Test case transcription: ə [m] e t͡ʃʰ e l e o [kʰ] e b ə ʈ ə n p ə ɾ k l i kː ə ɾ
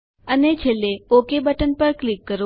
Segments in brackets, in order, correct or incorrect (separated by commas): incorrect, incorrect